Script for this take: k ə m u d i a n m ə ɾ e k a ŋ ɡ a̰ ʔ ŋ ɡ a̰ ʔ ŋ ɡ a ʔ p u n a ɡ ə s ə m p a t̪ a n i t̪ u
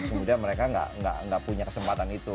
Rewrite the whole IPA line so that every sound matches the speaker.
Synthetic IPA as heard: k ə m u d i a n m ə ɾ e k a ŋ ɡ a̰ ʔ ŋ ɡ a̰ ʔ ŋ ɡ a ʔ p u ɲ a k ə s ə m p a t̪ a n i t̪ u

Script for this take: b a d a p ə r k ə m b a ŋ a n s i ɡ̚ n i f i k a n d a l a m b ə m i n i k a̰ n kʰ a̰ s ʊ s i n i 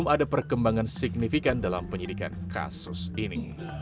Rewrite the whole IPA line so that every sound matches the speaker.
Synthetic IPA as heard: m a d a p ə r k ə m b a ŋ a n s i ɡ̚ n i f i k a n d a l a m p ə ɲ i d i k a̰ n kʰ a̰ s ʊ s i n i

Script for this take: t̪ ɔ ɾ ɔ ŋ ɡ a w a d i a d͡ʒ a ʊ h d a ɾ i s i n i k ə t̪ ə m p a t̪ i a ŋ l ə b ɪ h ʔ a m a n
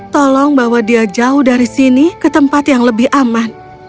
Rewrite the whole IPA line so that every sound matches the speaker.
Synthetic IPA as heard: t̪ ɔ l ɔ ŋ b a w a d i a d͡ʒ a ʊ h d a ɾ i s i n i k ə t̪ ə m p a t̪ j a ŋ l ə b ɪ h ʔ a m a n

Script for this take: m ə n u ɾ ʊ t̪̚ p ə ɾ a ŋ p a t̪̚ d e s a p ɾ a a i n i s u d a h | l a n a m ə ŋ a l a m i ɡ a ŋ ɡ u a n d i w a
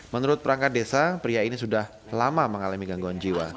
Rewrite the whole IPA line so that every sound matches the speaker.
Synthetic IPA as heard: m ə n u ɾ ʊ t̪̚ p ə ɾ a ŋ k a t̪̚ d e s a p ɾ i a i n i s u d a h | l a m a m ə ŋ a l a m i ɡ a ŋ ɡ u a n d͡ʒ i w a

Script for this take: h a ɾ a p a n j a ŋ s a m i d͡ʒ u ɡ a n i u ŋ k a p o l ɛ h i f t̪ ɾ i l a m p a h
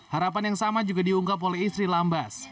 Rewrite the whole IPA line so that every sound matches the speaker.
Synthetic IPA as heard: h a ɾ a p a n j a ŋ s a m a d͡ʒ u ɡ a d i u ŋ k a p o l ɛ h i s t̪ ɾ i l a m b a s

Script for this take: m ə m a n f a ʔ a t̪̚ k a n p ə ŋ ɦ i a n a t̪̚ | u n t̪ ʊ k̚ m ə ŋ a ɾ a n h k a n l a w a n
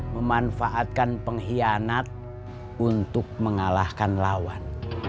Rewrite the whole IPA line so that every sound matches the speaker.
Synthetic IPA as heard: m ə m a n f a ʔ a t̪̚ k a n p ə ŋ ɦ i a n a t̪̚ | u n t̪ ʊ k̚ m ə ŋ a l a h k a n l a w a n

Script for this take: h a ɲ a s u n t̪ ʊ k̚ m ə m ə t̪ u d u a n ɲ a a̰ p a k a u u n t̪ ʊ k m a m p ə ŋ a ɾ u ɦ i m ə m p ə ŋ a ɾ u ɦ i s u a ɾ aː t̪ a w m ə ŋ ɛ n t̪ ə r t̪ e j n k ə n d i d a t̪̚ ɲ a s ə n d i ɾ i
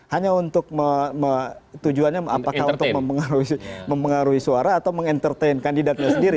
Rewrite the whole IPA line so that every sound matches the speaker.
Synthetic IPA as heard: h a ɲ a u n t̪ ʊ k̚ m ə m ə t̪ u d͡ʒ u a n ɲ a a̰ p a k a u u n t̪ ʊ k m ə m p ə ŋ a ɾ u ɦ i m ə m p ə ŋ a ɾ u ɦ i s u a ɾ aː t̪ a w m ə ŋ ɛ n t̪ ə r t̪ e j n k a n d i d a t̪̚ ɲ a s ə n d i ɾ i

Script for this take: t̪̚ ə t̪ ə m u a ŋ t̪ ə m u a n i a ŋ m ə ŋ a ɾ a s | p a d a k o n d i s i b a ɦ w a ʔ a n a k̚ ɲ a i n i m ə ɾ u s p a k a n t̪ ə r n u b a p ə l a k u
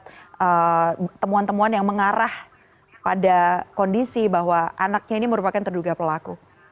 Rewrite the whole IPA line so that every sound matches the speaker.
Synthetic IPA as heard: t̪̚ ə t̪ ə m u a n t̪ ə m u a n j a ŋ m ə ŋ a ɾ a h | p a d a k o n d i s i b a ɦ w a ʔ a n a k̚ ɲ a i n i m ə ɾ u p a k a n t̪ ə r d u ɡ a p ə l a k u

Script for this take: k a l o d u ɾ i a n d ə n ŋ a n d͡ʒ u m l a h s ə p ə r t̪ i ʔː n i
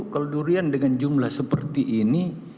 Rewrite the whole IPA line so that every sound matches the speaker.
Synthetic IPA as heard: k a l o d u ɾ i a n d ə ŋ a n d͡ʒ u m l a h s ə p ə r t̪ i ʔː n i

